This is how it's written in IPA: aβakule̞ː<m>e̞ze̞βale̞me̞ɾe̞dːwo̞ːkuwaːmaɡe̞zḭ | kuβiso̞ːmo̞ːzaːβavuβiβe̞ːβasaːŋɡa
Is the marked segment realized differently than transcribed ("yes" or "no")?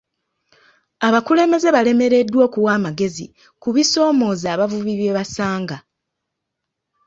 no